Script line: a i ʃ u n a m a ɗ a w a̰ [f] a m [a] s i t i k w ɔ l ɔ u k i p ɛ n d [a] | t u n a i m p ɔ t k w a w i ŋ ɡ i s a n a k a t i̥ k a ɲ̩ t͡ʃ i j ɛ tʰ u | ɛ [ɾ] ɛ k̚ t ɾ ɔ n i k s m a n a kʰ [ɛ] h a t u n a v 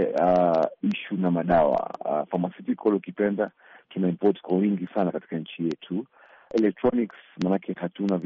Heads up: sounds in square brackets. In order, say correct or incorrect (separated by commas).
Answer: correct, correct, correct, incorrect, correct